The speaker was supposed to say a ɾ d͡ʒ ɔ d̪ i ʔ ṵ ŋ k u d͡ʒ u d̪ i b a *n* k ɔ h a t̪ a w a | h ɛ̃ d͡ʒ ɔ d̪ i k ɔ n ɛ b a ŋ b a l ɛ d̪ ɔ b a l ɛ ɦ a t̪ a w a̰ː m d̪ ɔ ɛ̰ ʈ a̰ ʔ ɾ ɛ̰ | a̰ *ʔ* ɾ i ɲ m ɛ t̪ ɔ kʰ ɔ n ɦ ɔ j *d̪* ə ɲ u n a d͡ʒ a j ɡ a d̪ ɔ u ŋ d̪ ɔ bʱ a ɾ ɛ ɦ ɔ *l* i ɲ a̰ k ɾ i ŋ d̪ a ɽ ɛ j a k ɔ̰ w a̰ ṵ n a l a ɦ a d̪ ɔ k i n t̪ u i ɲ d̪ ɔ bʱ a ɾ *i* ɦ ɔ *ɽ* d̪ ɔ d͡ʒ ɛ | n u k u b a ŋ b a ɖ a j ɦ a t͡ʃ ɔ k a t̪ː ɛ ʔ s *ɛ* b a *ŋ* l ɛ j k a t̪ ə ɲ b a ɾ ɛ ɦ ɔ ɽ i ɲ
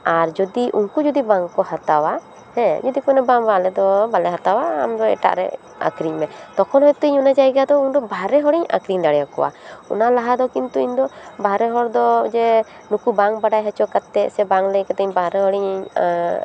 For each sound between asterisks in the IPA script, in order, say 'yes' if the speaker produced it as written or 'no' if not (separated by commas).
no, no, no, no, no, no, yes, yes